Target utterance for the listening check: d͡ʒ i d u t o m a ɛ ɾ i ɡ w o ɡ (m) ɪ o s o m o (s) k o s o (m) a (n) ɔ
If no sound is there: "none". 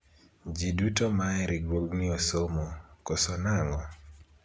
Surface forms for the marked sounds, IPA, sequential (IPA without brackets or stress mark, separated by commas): n, none, n, ŋ